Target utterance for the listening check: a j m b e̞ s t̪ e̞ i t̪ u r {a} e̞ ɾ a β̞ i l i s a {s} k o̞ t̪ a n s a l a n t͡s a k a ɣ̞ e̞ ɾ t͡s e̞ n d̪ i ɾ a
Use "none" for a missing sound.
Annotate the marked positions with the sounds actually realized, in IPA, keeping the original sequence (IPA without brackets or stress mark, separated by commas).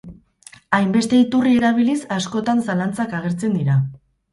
i, s